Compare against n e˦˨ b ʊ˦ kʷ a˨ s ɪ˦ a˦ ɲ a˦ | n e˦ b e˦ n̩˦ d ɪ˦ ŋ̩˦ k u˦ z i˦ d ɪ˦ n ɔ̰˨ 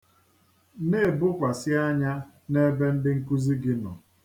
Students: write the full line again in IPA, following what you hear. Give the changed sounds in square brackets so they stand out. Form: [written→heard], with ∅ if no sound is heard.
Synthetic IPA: n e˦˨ b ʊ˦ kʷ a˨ s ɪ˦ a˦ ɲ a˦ | n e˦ b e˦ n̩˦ d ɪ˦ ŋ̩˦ k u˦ z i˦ [d→ɡ] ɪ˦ n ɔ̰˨